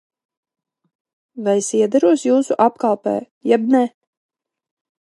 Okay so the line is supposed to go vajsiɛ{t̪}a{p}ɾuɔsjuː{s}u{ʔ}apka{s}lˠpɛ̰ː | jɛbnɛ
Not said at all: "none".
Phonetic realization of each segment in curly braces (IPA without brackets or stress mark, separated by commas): d̪, none, s, ʔ, none